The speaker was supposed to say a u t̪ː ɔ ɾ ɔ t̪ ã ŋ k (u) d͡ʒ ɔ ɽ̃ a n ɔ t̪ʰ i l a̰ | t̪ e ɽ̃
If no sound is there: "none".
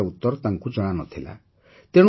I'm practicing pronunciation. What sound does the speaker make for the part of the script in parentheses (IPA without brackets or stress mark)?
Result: u